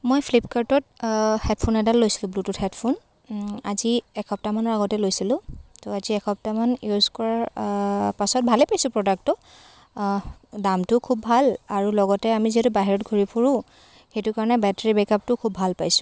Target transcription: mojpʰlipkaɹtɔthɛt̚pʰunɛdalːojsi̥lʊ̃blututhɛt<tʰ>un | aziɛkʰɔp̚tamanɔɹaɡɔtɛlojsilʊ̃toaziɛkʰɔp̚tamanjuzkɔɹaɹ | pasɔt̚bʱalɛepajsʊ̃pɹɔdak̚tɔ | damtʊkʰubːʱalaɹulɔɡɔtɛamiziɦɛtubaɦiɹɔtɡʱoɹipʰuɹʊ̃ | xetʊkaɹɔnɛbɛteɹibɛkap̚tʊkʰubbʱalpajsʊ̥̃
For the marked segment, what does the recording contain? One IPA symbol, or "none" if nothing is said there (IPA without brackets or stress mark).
pʰ